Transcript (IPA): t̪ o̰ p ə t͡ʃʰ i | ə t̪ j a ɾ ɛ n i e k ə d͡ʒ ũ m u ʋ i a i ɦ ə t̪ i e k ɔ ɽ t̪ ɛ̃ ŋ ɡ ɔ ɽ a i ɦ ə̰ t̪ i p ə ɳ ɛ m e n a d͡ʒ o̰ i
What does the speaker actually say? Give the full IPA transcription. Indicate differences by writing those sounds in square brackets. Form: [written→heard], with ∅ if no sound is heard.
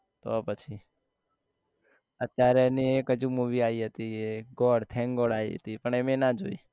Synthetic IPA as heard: t̪ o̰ p ə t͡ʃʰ i | ə t̪ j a ɾ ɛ n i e k ə d͡ʒ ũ m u ʋ i a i ɦ ə t̪ i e [k→ɡ] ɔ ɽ [t̪→t̪ʰ] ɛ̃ ŋ ɡ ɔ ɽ a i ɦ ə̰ t̪ i p ə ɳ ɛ m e n a d͡ʒ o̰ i